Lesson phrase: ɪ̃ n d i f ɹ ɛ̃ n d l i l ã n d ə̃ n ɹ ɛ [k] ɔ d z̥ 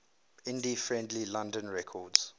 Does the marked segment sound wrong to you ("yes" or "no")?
yes